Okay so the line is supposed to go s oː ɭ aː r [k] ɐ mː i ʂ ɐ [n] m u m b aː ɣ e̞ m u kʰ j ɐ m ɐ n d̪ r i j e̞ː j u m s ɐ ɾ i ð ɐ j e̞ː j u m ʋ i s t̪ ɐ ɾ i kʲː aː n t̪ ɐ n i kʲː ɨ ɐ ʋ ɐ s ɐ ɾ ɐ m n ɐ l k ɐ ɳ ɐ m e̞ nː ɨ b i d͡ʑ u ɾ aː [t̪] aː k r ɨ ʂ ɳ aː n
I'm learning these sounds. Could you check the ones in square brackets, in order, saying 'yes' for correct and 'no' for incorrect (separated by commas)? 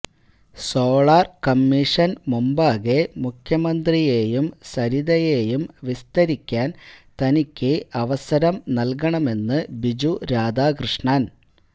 yes, yes, no